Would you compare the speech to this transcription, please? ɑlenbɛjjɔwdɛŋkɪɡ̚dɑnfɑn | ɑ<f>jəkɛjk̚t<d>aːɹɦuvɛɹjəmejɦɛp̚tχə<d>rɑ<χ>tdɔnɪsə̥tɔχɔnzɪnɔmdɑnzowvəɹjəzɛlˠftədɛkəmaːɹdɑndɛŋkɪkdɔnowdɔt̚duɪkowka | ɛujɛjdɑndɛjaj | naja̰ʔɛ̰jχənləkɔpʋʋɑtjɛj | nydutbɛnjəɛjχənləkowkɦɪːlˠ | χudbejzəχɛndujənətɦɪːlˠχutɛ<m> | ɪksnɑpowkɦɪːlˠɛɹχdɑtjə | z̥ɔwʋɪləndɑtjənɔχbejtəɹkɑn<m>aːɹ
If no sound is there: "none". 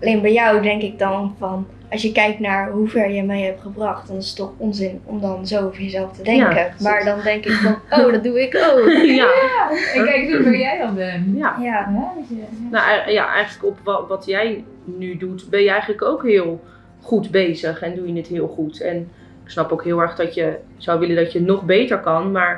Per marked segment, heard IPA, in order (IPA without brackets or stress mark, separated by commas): s, n, b, χ, n, m